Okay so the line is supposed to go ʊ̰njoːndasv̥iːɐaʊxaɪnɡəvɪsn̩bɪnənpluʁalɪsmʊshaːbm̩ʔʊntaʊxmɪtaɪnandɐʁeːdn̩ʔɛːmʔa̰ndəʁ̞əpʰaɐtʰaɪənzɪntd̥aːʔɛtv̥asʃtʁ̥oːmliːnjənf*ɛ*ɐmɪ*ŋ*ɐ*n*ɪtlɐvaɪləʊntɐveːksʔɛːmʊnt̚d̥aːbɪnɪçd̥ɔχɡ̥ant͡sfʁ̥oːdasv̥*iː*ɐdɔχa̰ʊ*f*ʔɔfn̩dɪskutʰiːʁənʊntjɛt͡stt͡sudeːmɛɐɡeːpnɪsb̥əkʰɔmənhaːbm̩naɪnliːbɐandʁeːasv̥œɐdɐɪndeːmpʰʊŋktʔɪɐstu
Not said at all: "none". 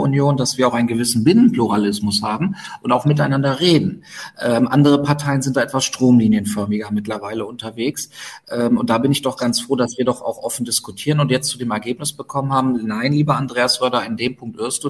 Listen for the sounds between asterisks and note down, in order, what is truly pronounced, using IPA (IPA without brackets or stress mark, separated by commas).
œ, ɡ, m, iː, x